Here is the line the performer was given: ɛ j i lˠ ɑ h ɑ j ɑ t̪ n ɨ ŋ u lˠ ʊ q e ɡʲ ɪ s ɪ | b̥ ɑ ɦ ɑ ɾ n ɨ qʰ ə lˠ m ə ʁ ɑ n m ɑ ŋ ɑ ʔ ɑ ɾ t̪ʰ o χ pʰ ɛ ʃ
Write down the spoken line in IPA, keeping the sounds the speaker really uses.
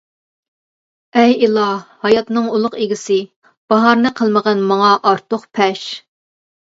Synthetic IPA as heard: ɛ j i lˠ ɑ h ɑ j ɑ t̪ n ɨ ŋ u lˠ ʊ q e ɡʲ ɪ s ɪ | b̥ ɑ ɦ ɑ ɾ n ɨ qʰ ə lˠ m ə ʁ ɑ n m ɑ ŋ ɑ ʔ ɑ ɾ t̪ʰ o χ pʰ ɛ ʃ